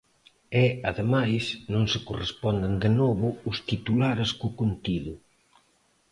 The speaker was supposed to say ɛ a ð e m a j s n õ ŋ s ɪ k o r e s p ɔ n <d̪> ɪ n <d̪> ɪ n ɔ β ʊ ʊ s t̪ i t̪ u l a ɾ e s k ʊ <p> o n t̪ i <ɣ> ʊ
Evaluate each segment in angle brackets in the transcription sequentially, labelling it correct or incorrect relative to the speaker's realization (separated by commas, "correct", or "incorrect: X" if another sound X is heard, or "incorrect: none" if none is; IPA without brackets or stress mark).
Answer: correct, correct, incorrect: k, incorrect: ð